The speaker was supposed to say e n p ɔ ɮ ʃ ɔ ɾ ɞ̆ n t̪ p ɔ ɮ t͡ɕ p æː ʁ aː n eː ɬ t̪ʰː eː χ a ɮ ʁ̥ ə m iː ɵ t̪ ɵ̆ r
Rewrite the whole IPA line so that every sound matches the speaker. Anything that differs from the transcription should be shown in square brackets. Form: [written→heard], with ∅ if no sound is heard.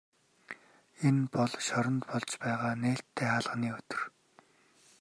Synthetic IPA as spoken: e n p ɔ ɮ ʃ ɔ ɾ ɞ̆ n t̪ p ɔ ɮ t͡ɕ p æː ʁ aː n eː ɬ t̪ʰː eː χ a ɮ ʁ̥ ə [m→n] iː ɵ t̪ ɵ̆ r